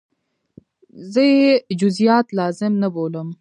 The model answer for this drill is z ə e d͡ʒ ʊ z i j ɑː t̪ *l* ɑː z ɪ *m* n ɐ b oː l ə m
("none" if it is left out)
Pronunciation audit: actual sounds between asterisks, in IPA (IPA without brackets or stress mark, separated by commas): l, m